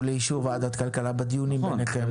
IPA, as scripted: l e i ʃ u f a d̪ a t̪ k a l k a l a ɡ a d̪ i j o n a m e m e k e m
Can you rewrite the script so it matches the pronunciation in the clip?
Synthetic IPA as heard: l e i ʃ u v a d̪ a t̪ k a l k a l a b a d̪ i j u n i m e n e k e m